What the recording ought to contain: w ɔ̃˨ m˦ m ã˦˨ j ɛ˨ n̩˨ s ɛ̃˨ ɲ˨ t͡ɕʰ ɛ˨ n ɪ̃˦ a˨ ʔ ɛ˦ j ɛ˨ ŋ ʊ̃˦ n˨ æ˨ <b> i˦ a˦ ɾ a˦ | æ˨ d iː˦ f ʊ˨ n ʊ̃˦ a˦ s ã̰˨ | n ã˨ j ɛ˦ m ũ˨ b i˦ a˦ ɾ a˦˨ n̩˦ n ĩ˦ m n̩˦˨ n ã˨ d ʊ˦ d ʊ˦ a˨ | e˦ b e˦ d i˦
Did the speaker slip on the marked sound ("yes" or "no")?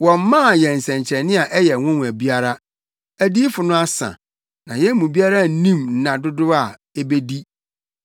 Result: no